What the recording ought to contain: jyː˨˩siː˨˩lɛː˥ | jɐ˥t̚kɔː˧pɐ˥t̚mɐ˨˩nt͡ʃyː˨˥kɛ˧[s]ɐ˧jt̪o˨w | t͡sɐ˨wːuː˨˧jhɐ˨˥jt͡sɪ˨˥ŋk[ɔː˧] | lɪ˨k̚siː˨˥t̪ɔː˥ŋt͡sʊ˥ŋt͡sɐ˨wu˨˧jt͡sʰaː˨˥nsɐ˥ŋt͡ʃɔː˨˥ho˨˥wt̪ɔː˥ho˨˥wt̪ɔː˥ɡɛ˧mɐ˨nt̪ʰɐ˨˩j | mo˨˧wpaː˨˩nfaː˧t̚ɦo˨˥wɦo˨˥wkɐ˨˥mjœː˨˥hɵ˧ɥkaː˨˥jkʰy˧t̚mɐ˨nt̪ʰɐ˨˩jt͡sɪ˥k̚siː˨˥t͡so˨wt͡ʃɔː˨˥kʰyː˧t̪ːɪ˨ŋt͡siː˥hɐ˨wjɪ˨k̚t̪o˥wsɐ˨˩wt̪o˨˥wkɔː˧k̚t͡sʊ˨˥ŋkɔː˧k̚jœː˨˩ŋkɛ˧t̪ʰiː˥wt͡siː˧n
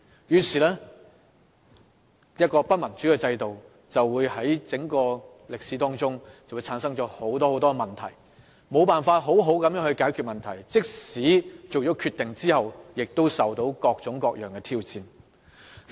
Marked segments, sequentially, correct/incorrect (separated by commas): incorrect, correct